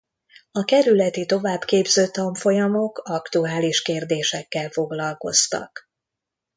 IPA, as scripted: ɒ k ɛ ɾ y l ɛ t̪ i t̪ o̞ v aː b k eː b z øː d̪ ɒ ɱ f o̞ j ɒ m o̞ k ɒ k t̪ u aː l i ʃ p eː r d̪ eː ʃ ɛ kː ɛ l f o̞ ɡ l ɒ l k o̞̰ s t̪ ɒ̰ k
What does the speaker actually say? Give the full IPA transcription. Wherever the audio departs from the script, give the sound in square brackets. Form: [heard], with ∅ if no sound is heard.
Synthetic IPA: ɒ k ɛ ɾ y l ɛ t̪ i t̪ o̞ v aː b k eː b z øː [t̪] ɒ ɱ f o̞ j ɒ m o̞ k ɒ k t̪ u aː l i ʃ [k] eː r d̪ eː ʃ ɛ kː ɛ l f o̞ ɡ l ɒ l k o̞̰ s t̪ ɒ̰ k